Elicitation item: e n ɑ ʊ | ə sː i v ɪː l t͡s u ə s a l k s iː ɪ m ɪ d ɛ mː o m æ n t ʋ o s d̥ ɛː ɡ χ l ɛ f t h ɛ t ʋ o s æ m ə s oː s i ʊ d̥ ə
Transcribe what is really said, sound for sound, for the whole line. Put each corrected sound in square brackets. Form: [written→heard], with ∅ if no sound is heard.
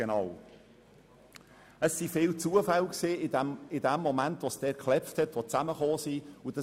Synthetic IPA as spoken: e n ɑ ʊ | ə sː i [v→f] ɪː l t͡s u ə [s→f] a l k s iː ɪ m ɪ d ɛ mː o m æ n t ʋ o s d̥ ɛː [ɡ→k] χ l ɛ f t h ɛ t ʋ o [s→t͡s] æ m ə [s→χ] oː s i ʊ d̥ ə